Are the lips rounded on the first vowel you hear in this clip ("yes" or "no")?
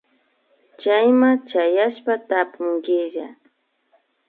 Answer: no